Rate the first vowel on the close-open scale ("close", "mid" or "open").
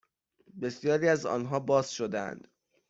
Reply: mid